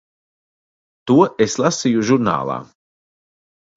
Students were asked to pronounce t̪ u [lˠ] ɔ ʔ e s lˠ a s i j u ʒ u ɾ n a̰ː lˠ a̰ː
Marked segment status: incorrect: none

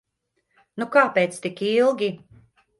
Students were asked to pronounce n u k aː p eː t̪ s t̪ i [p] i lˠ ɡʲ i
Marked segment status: incorrect: k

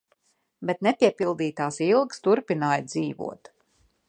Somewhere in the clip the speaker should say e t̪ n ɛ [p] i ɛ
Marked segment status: correct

